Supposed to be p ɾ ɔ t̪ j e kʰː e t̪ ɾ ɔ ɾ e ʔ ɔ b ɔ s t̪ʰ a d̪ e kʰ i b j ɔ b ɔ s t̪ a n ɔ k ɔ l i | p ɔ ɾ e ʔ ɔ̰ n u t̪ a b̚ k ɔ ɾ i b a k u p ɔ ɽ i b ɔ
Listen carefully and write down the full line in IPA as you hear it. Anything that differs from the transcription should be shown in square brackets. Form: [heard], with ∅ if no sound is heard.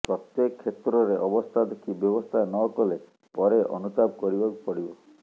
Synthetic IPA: p ɾ ɔ t̪ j e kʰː e t̪ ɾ ɔ ɾ e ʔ ɔ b ɔ s t̪ʰ a d̪ e kʰ i b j ɔ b ɔ s [t̪ʰ] a n ɔ k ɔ l [e] | p ɔ ɾ e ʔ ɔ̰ n u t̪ a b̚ k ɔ ɾ i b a k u p ɔ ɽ i b ɔ